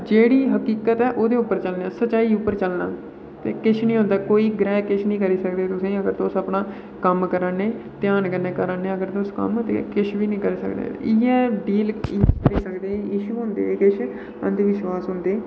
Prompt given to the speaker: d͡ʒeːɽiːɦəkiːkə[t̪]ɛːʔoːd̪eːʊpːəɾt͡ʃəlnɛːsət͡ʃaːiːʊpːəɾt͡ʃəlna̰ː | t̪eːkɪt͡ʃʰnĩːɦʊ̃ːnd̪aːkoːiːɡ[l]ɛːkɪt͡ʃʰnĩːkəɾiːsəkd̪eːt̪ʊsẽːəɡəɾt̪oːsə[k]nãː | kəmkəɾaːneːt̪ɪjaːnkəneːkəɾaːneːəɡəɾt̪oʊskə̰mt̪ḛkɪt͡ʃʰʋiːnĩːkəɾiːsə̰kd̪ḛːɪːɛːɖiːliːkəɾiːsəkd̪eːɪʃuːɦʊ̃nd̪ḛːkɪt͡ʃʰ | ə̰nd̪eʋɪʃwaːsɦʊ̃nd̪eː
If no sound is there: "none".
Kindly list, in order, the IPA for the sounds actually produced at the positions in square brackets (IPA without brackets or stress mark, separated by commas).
t̪, ɾ, p